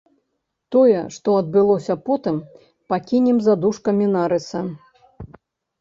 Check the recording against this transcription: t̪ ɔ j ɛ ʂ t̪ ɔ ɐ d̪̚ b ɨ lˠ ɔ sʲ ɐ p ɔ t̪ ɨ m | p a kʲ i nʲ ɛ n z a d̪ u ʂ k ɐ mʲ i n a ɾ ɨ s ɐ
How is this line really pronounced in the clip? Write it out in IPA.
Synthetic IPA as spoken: t̪ ɔ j ɛ ʂ t̪ ɔ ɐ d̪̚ b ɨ lˠ ɔ sʲ ɐ p ɔ t̪ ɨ m | p a kʲ i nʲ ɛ m z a d̪ u ʂ k ɐ mʲ i n a ɾ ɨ s ɐ